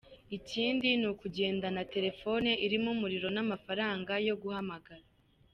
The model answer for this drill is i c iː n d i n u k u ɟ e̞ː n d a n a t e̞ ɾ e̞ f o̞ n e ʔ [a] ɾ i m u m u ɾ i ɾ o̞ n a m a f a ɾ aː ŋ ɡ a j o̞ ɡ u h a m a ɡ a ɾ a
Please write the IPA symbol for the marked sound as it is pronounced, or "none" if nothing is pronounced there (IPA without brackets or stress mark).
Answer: i